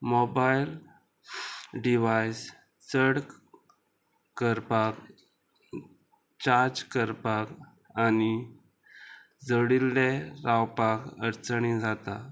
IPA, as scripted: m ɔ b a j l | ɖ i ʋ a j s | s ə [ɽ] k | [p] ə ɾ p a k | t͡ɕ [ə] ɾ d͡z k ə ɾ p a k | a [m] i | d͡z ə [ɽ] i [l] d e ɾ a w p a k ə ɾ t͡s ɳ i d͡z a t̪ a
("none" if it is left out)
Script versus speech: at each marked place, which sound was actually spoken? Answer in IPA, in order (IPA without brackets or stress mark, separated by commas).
ɽ, k, a, n, ɽ, l